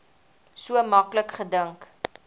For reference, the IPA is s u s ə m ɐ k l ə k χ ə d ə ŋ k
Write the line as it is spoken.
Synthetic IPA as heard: s u ə m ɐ k l ə k χ ə d ə ŋ k

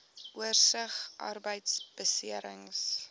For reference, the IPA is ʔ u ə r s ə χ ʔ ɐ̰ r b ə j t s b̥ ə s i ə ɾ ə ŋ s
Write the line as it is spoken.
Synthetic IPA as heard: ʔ u ə r s ə χ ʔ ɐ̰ r b ə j t s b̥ ə s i ə ɾ ə ŋ s

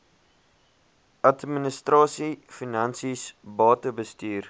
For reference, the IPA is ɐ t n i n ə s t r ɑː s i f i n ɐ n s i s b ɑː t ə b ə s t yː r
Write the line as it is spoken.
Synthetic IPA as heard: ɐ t m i n ə s t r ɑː s i f i n ɐ n s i s b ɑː t ə b ə s t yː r

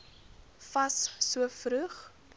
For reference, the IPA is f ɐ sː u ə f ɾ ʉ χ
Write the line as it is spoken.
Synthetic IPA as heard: f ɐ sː u ə f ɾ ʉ χ

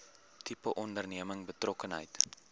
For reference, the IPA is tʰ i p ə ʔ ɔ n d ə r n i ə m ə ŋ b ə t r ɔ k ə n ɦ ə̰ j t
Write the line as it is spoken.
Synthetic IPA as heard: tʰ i p ə ʔ ɔ n d ə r n i ə m ə ŋ b ə t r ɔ k ə n ɦ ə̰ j t

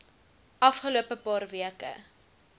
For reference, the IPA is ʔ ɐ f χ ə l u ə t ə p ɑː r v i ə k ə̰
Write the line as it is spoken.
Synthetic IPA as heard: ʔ ɐ f χ ə l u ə p ə p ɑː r v i ə k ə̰

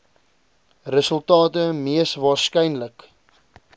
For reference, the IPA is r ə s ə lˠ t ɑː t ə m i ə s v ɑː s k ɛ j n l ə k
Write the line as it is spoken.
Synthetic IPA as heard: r ə s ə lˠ t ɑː t ə m i ə s v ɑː s k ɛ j n l ə k

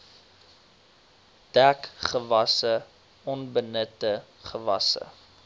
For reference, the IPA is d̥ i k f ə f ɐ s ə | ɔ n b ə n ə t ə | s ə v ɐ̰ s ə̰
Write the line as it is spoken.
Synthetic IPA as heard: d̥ æ k χ ə v ɐ s ə | ɔ n b ə n ə t ə | χ ə v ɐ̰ s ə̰

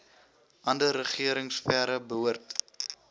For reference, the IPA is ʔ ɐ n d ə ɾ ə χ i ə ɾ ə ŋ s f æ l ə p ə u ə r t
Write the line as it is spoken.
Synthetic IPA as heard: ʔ ɐ n d ə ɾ ə χ i ə ɾ ə ŋ s f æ ɾ ə b ə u ə r t

